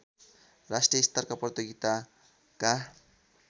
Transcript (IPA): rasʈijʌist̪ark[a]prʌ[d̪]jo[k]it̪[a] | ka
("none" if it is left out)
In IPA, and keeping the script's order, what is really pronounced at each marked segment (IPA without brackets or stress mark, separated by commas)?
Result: a, t̪, ɡ, a